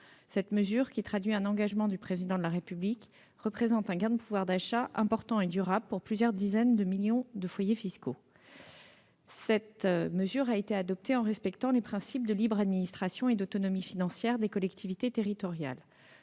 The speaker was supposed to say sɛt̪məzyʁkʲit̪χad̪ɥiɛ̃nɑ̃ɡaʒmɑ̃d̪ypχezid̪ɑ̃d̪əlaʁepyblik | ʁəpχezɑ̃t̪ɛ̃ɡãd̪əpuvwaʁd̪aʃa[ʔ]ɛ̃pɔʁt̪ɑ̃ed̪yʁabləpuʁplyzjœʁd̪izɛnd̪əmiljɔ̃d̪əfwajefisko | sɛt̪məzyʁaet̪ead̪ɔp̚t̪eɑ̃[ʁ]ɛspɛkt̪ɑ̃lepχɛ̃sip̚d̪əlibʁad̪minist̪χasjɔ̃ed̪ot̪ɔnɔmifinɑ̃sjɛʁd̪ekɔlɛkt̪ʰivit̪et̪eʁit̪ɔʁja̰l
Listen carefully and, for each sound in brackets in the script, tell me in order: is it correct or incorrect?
correct, correct

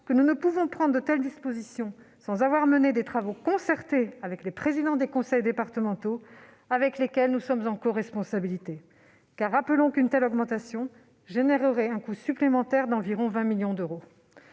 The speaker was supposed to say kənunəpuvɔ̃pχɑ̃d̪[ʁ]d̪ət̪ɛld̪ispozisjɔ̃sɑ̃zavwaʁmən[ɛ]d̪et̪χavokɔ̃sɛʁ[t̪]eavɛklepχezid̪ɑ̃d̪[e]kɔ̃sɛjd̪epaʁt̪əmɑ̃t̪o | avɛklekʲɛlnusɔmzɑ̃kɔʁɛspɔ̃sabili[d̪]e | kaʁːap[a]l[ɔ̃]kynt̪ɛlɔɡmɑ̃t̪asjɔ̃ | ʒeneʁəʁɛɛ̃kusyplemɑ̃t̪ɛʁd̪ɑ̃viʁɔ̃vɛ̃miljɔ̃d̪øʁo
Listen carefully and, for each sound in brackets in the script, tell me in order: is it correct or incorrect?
correct, incorrect: e, correct, correct, incorrect: t̪, incorrect: ə, correct

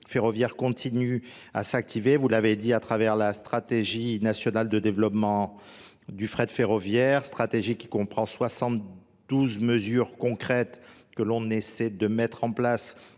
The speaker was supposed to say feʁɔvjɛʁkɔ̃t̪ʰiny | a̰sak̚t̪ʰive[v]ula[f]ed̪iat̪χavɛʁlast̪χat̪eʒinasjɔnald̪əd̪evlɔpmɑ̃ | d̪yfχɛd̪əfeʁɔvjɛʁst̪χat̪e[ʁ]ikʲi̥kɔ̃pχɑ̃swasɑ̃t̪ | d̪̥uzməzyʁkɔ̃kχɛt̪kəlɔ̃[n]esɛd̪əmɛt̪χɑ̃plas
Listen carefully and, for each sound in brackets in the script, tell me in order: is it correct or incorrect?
correct, incorrect: v, incorrect: ʒ, correct

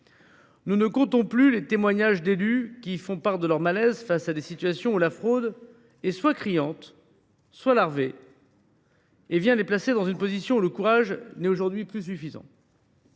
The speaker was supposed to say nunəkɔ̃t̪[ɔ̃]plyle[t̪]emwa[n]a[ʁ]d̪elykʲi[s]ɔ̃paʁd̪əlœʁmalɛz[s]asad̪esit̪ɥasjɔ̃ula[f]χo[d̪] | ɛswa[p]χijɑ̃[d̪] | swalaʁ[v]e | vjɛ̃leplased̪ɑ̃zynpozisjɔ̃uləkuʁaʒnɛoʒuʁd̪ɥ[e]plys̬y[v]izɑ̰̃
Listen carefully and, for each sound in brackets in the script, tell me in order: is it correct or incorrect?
correct, correct, incorrect: ɲ, incorrect: ʒ, incorrect: f, incorrect: f, correct, correct, incorrect: k, incorrect: t̪, correct, incorrect: i, incorrect: f

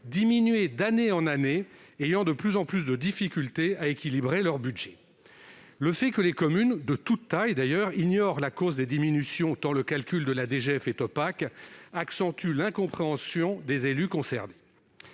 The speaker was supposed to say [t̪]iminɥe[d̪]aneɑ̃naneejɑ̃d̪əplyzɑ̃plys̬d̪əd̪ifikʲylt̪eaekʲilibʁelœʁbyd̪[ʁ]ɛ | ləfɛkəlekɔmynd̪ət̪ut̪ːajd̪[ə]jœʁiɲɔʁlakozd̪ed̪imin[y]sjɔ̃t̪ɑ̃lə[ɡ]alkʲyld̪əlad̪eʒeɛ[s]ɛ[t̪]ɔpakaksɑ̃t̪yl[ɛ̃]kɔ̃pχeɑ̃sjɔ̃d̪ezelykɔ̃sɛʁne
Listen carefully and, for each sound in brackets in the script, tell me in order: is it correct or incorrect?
incorrect: d̪, correct, incorrect: ʒ, incorrect: a, correct, incorrect: k, incorrect: f, correct, correct

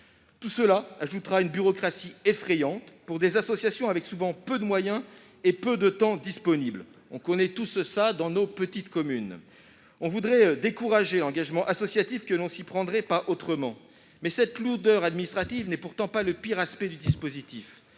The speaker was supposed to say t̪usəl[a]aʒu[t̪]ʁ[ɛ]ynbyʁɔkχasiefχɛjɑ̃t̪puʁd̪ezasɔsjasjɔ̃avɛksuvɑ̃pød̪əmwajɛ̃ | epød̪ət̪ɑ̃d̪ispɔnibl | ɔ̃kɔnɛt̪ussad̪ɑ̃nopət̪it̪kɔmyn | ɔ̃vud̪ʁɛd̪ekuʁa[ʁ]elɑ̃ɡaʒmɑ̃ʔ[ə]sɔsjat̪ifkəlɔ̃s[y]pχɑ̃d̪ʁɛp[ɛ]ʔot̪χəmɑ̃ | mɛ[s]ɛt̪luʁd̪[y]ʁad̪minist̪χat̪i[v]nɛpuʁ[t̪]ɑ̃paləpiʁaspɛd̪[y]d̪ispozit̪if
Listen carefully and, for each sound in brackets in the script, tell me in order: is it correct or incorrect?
correct, correct, incorrect: a, incorrect: ʒ, incorrect: a, incorrect: i, incorrect: a, correct, incorrect: œ, correct, correct, correct

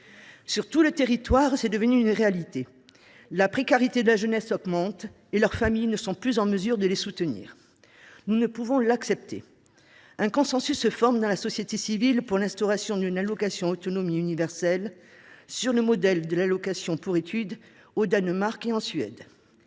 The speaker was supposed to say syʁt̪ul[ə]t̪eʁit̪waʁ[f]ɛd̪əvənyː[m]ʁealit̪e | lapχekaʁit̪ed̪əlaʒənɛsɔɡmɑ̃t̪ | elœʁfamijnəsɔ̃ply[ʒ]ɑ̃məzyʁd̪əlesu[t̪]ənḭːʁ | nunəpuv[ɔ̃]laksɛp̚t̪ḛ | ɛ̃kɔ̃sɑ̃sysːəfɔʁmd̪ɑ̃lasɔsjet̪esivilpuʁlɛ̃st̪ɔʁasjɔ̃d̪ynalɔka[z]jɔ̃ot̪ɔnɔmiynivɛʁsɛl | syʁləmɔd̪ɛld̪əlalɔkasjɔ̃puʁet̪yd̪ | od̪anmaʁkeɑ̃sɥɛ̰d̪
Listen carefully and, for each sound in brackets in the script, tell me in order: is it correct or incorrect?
correct, incorrect: s, incorrect: n, incorrect: z, correct, correct, incorrect: s

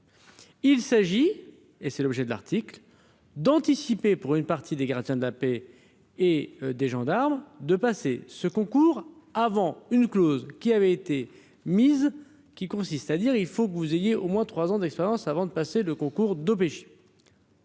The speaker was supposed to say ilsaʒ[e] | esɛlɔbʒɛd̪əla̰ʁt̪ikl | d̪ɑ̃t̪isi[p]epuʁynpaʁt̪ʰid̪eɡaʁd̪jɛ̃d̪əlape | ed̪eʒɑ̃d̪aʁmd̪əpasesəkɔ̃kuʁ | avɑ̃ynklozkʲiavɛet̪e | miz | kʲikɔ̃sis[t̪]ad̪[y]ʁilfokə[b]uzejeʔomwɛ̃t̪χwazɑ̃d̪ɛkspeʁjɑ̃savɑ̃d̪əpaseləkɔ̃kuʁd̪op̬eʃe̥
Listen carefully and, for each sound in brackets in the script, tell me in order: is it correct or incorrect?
incorrect: i, correct, correct, incorrect: i, incorrect: v

